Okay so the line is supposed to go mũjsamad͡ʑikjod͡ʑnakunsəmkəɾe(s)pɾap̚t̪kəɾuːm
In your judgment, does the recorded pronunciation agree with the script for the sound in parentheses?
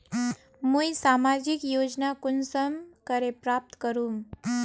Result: no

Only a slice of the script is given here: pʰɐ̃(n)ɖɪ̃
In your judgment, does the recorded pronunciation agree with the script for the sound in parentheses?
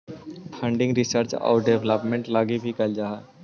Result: no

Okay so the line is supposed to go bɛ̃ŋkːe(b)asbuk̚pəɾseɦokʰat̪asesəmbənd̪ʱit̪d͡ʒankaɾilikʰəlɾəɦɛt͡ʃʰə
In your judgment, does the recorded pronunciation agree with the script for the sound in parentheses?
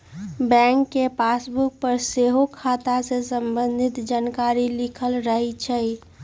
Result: no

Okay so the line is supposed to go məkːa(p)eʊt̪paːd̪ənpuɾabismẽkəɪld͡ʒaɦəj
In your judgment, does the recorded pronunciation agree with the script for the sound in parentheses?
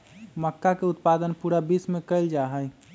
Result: no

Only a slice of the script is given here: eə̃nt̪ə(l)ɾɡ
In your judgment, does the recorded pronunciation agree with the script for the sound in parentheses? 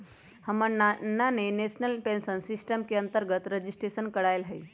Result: no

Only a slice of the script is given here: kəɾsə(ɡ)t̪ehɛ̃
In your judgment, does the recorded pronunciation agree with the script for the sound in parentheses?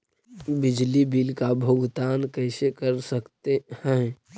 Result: no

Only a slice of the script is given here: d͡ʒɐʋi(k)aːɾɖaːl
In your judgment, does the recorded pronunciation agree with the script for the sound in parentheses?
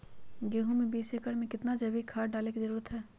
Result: no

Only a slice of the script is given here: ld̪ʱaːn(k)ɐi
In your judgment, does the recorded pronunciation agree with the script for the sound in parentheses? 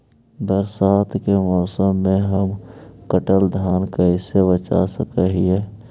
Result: yes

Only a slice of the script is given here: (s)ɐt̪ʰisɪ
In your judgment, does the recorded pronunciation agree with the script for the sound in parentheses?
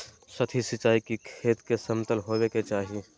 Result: yes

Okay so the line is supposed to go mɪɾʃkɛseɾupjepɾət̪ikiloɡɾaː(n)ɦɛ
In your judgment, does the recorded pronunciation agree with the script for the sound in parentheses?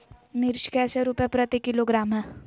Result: no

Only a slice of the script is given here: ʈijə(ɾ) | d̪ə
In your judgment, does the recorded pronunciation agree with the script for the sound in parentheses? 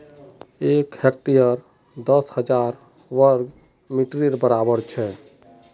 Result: yes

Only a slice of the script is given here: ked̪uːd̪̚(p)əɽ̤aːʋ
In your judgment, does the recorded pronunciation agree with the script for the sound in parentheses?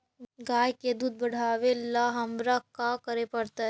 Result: no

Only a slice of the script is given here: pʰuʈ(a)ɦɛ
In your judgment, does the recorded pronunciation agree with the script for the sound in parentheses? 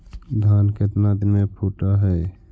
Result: yes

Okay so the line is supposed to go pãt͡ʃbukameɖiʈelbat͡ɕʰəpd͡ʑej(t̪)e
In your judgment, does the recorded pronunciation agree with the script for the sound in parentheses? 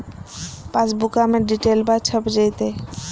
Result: yes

